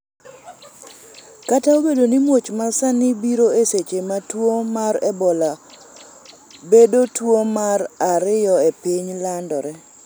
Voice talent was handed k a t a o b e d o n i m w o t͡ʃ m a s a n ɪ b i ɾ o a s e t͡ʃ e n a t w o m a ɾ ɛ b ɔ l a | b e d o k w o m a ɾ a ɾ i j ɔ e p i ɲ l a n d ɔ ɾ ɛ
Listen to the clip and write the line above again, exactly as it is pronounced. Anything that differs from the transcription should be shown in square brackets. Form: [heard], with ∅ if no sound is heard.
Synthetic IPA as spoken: k a t a o b e d o n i m w o t͡ʃ m a s a n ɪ b i ɾ o [e] s e t͡ʃ e [m] a t w o m a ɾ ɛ b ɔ l a | b e d o [t] w o m a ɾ a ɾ [ɪ] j ɔ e p i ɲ l a n d ɔ ɾ ɛ